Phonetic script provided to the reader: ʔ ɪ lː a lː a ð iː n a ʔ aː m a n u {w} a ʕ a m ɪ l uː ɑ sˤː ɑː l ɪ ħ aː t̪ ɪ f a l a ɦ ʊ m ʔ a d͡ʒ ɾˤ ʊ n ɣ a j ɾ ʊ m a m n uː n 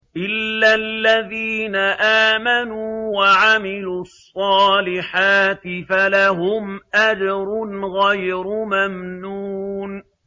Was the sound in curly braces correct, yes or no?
yes